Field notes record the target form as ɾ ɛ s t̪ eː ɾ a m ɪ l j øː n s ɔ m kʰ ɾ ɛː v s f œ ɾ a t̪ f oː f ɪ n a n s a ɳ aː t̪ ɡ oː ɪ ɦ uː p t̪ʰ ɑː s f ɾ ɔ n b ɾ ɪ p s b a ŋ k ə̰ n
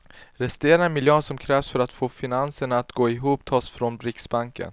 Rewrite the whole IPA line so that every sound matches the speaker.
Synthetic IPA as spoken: ɾ ɛ s t̪ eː ɾ a m ɪ l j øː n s ɔ m kʰ ɾ ɛː v s f œ ɾ a t̪ f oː f ɪ n a n s ə ɳ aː t̪ ɡ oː ɪ ɦ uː p t̪ʰ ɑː s f ɾ ɔ n b ɾ ɪ k s b a ŋ k ə̰ n